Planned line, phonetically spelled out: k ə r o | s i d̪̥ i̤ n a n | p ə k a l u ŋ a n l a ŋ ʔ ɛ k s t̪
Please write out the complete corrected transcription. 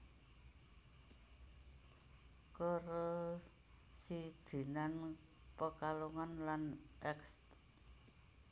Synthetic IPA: k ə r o | s i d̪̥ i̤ n a n | p ə k a l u ŋ a n l a n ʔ ɛ k s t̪